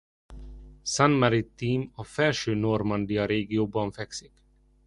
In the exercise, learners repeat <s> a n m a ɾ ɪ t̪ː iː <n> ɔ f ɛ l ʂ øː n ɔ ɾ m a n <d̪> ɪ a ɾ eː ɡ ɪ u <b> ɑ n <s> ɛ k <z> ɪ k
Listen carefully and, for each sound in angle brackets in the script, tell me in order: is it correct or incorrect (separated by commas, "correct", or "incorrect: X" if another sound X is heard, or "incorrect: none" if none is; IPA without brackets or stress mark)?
correct, incorrect: m, correct, correct, incorrect: f, incorrect: s